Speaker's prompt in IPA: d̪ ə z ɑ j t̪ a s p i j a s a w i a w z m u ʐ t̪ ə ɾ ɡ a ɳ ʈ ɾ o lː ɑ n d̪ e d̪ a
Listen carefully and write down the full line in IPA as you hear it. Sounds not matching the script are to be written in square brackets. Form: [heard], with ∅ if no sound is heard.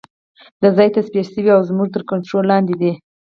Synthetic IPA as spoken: d̪ ə z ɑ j t̪ a s p i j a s [ə] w i a w z m u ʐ t̪ ə ɾ [k] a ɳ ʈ ɾ o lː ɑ n d̪ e d̪ [i]